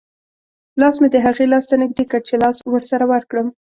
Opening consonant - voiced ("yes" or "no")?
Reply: yes